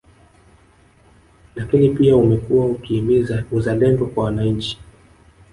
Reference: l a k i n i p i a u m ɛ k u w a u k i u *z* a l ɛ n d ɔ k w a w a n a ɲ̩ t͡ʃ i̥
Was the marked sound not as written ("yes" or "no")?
no